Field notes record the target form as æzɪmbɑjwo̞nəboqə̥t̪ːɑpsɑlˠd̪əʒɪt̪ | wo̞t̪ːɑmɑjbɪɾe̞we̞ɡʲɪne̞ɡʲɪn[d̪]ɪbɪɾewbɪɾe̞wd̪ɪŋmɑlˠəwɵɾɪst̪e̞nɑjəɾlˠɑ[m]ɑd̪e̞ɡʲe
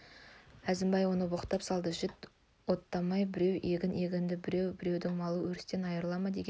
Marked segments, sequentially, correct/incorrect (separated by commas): correct, correct